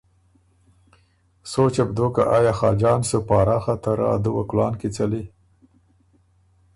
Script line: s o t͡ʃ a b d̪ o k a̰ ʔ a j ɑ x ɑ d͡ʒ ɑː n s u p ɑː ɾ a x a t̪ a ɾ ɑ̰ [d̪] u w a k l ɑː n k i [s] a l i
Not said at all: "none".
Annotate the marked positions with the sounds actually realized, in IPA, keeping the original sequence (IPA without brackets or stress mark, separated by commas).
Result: d̪, t͡s